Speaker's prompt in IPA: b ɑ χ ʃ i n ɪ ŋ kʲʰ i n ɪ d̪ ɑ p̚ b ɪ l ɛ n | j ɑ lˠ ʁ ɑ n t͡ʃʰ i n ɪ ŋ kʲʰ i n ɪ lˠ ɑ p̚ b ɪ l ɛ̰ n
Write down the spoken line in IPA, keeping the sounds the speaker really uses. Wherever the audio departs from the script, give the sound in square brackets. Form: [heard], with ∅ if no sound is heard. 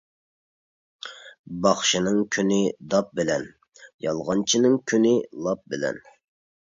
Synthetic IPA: b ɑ χ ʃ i n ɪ ŋ kʲʰ [y] n ɪ d̪ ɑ p̚ b ɪ l ɛ n | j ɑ lˠ ʁ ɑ n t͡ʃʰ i n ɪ ŋ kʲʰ [y] n ɪ lˠ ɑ p̚ b ɪ l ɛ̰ n